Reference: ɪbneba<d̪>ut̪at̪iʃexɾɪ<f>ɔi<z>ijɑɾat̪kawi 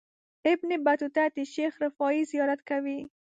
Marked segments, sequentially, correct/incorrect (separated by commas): incorrect, correct, correct